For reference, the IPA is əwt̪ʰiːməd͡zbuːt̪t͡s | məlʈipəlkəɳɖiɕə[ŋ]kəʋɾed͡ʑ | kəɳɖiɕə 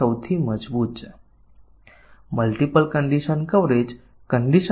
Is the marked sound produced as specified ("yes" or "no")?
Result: no